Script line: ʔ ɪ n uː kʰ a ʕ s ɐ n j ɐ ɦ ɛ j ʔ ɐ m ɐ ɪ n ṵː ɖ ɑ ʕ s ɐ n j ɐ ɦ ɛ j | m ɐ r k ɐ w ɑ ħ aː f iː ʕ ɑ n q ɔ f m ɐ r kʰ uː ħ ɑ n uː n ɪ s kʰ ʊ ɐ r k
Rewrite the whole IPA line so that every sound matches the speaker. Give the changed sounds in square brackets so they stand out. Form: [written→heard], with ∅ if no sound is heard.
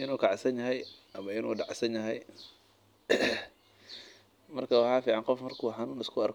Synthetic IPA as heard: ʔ ɪ n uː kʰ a ʕ s ɐ n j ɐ ɦ ɛ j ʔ ɐ m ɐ ɪ n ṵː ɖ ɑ ʕ s ɐ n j ɐ ɦ ɛ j | m ɐ r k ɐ w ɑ ħ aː f iː ʕ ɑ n q ɔ f m ɐ r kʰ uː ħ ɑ n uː n ɪ s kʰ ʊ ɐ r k